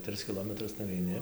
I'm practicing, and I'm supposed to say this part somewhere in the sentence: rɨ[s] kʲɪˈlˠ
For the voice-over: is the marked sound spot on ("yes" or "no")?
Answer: yes